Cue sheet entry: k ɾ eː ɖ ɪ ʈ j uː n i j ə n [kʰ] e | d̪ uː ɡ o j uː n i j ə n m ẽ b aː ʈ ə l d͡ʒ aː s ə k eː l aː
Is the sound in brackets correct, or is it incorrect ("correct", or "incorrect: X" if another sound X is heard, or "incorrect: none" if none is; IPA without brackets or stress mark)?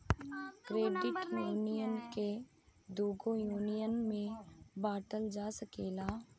incorrect: k